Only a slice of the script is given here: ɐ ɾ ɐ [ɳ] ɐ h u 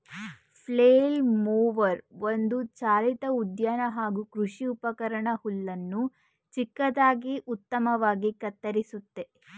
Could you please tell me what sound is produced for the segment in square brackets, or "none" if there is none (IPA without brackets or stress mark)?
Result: ɳ